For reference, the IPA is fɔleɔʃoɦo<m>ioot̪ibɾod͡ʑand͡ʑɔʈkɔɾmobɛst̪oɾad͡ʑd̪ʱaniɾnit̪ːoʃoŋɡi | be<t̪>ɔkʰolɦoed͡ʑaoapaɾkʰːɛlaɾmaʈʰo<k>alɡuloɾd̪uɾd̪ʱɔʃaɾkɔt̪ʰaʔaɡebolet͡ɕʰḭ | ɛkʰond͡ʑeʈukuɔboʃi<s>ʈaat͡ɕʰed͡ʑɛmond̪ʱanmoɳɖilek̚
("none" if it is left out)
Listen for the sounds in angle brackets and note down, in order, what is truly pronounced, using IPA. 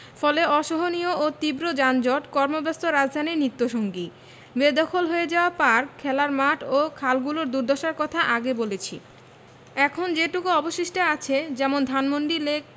n, d̪, kʰ, ʃ

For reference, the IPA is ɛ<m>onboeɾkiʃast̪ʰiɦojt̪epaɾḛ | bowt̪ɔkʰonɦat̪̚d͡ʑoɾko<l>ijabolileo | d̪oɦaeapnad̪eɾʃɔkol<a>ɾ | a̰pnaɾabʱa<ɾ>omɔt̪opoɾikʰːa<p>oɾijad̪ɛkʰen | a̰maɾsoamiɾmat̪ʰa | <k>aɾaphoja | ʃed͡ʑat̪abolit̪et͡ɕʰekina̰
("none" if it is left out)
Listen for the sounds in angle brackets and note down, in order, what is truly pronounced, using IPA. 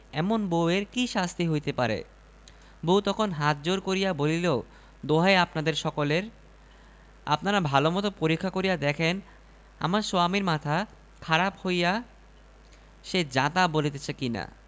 m, ɾ, e, l, k, kʰ

